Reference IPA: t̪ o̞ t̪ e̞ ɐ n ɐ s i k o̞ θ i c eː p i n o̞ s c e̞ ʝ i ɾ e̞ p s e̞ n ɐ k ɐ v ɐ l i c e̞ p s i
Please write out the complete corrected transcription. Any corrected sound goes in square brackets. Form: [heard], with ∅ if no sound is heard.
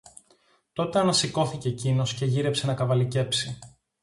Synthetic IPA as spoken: t̪ o̞ t̪ e̞ ɐ n ɐ s i k o̞ θ i c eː [c] i n o̞ s c e̞ ʝ i ɾ e̞ p s e̞ n ɐ k ɐ v ɐ l i c e̞ p s i